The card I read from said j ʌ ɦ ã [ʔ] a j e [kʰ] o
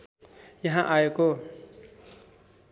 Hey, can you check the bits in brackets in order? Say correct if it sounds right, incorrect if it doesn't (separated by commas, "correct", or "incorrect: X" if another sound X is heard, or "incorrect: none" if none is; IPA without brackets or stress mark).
correct, incorrect: k